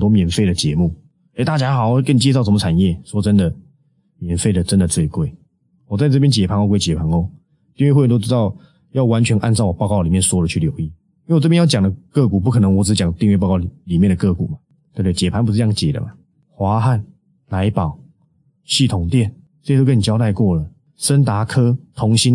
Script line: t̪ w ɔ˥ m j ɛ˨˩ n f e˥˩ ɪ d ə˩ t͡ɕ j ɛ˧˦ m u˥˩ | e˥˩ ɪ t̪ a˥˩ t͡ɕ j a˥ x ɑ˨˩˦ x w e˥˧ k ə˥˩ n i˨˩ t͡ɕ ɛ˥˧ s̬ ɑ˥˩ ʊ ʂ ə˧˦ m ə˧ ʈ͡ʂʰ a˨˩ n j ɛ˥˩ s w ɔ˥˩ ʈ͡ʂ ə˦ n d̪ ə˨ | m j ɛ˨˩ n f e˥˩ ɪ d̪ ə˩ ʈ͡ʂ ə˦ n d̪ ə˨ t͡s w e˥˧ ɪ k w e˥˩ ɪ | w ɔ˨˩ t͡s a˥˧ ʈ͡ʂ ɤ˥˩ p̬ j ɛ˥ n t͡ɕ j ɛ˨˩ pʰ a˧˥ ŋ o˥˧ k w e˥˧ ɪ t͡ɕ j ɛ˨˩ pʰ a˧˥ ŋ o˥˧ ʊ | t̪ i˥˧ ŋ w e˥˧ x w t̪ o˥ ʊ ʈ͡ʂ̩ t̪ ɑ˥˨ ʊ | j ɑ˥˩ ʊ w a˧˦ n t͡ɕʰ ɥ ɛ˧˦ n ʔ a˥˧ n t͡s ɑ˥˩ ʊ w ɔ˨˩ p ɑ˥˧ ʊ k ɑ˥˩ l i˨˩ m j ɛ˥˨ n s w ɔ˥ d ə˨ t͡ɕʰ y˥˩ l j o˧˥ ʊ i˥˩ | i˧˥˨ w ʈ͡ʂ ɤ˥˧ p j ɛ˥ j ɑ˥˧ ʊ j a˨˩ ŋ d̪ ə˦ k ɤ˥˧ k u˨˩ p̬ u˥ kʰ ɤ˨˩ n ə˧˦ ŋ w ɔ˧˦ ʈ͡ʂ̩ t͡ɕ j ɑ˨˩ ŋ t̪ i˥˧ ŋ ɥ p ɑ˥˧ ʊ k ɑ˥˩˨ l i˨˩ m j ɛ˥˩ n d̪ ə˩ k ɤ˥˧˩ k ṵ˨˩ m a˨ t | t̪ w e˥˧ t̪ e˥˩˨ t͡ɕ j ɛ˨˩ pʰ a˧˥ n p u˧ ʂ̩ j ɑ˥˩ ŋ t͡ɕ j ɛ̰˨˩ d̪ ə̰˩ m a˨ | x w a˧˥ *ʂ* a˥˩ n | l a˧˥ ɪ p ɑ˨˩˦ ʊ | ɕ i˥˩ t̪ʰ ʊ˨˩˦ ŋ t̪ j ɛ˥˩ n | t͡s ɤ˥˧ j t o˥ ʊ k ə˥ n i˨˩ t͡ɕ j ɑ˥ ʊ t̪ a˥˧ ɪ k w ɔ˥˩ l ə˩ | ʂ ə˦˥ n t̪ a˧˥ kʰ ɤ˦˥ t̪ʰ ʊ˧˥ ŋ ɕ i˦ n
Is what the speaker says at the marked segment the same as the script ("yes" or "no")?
no